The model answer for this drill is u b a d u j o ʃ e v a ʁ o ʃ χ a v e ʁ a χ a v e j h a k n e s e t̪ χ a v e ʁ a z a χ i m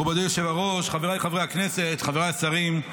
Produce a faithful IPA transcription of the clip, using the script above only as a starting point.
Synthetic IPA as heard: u b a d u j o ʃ e v a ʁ o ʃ χ a v e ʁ a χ a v e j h a k n e s e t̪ χ a v e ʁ a s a ʁ i m